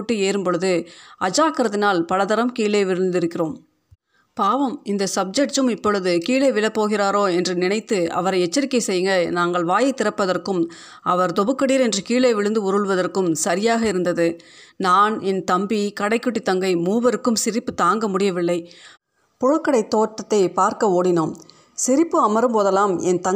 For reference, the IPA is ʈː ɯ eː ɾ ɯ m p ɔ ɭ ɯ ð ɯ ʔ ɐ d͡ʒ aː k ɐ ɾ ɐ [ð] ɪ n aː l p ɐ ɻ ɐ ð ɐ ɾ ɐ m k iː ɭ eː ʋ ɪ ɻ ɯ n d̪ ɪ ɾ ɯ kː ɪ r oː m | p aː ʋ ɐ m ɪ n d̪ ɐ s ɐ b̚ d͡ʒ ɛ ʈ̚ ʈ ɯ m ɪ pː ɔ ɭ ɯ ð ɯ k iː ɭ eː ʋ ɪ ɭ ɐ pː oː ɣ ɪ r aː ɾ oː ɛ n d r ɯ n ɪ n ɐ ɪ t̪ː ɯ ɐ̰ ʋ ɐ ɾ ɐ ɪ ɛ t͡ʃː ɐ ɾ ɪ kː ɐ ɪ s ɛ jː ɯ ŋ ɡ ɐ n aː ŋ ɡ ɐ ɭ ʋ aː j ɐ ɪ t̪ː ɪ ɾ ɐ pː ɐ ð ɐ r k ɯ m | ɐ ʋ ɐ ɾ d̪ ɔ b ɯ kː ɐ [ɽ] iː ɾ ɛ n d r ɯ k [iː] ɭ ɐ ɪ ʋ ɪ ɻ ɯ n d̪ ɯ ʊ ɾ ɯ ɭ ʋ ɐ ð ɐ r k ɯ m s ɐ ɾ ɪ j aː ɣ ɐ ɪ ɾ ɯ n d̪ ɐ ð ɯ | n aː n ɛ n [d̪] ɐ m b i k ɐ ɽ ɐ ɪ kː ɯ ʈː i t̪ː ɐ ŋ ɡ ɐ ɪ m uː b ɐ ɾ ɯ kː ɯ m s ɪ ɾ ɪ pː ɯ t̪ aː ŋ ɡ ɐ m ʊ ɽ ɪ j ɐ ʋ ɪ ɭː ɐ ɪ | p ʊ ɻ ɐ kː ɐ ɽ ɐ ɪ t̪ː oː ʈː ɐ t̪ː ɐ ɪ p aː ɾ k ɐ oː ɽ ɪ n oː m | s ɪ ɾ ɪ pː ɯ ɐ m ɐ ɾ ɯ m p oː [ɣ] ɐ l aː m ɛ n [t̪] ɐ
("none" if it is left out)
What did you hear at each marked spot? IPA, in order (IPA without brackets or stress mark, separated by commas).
ð, ɽ, iː, t̪, ð, t̪